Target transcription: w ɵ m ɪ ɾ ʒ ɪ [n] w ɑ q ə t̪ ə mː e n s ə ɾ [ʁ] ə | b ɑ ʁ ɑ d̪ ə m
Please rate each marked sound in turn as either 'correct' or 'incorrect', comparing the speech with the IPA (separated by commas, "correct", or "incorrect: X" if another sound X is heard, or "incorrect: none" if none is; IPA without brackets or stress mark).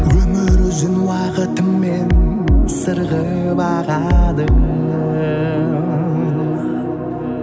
correct, correct